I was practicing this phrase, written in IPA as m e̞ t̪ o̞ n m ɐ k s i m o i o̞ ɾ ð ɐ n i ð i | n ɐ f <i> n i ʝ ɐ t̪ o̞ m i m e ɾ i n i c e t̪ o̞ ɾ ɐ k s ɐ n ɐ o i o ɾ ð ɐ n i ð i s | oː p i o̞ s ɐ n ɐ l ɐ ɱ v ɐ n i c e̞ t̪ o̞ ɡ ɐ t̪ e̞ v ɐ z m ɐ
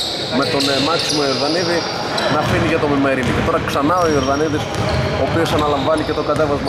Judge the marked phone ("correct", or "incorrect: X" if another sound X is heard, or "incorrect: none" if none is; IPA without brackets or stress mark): correct